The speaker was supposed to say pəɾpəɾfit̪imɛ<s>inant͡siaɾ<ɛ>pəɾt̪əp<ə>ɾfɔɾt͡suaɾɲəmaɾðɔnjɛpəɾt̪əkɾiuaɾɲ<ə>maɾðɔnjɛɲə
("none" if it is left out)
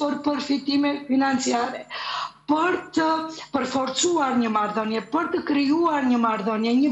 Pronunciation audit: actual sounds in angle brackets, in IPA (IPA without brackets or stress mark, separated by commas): f, ɛ, ə, ə